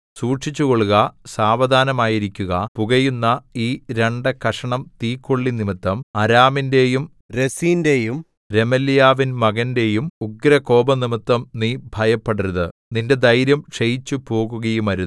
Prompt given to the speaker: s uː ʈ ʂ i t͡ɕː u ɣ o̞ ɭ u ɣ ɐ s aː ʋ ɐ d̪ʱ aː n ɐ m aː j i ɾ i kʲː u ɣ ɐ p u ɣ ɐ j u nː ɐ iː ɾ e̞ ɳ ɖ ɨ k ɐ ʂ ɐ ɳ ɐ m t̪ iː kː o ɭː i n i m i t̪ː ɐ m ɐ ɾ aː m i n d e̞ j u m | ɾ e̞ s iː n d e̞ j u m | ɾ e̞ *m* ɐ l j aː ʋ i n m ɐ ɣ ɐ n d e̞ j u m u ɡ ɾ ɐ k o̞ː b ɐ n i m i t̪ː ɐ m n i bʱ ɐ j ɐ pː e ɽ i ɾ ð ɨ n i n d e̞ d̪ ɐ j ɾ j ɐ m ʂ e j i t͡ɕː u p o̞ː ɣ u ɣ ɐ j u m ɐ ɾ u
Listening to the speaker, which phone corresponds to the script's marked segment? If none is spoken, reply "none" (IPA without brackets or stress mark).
m